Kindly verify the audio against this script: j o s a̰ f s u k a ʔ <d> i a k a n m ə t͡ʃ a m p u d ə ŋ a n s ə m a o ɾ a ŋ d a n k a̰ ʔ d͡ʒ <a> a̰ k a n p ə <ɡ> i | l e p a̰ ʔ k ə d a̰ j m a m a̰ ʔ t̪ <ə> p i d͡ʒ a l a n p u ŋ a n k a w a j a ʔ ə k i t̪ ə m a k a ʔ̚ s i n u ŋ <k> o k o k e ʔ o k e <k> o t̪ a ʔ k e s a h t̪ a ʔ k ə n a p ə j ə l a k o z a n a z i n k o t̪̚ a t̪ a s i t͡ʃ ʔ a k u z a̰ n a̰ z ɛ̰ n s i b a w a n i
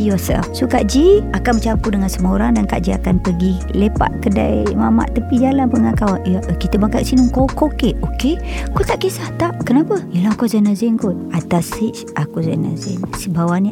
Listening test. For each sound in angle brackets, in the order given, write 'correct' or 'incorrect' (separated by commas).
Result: incorrect, incorrect, correct, correct, correct, correct